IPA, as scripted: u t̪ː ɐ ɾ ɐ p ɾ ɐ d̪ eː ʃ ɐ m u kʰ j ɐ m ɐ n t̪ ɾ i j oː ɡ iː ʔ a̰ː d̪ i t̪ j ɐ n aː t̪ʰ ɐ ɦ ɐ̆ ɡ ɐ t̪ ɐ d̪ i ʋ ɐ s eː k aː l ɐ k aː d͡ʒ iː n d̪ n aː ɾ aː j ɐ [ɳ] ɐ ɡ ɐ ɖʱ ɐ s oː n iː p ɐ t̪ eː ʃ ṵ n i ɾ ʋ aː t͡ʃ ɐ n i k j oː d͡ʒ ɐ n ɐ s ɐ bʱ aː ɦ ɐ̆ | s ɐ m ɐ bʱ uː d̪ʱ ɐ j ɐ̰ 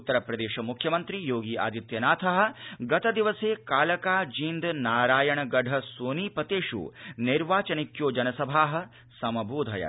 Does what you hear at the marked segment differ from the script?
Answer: no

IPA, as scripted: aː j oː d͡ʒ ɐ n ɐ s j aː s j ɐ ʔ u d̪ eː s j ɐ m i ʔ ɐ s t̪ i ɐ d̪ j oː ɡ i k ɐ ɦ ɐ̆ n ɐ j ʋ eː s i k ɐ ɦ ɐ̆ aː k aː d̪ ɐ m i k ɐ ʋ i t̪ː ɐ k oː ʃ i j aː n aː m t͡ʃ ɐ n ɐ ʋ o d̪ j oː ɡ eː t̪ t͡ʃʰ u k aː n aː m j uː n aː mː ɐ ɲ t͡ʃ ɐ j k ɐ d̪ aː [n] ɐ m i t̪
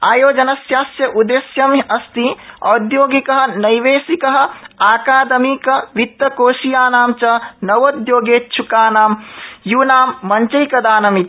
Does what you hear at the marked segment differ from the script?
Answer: no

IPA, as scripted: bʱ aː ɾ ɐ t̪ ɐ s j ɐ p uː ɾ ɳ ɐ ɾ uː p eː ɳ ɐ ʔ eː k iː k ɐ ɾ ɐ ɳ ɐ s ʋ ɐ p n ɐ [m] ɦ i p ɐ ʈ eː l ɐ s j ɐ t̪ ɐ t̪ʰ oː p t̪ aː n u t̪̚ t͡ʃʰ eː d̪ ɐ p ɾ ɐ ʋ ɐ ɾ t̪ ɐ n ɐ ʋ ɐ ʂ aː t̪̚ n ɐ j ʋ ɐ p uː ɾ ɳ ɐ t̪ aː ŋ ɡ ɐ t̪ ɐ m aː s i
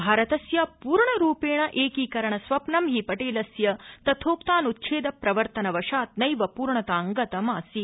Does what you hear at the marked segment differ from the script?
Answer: no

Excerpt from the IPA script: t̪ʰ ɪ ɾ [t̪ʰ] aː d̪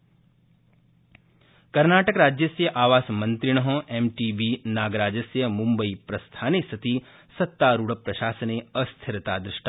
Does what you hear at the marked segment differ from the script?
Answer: yes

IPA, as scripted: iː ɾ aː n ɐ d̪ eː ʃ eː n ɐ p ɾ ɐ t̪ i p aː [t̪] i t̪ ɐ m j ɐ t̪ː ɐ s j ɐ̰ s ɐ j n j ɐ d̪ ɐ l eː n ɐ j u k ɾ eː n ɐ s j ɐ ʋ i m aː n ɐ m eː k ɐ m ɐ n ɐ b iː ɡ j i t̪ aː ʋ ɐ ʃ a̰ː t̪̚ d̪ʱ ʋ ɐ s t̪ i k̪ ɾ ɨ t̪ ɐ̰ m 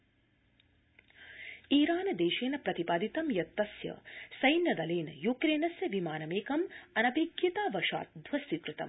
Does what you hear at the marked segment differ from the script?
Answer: yes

